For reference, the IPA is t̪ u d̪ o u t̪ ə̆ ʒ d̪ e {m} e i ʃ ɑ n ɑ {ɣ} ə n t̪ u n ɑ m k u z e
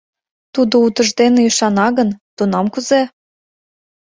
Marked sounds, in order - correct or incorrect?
incorrect, correct

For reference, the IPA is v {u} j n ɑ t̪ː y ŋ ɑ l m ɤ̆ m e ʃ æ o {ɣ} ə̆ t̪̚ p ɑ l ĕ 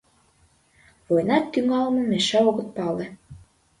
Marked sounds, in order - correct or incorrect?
incorrect, correct

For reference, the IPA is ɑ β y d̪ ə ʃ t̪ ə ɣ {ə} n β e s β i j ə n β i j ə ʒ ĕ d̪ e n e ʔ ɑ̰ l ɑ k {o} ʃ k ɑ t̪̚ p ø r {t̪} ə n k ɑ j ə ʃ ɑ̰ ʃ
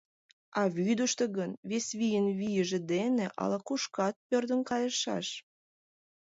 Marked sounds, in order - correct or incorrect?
correct, incorrect, incorrect

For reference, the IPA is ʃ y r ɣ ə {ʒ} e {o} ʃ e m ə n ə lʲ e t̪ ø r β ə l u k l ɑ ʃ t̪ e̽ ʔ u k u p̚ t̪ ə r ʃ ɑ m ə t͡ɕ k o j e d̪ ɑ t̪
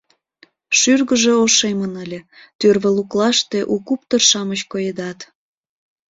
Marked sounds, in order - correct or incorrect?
correct, correct

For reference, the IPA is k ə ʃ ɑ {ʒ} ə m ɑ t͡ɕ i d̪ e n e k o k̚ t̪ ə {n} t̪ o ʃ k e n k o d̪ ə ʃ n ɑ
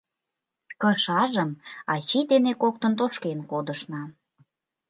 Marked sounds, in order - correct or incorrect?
correct, correct

